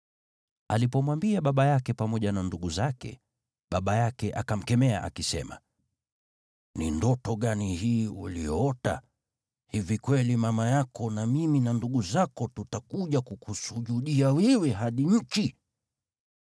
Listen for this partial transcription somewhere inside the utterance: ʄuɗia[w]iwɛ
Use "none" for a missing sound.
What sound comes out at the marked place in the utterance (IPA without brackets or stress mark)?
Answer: w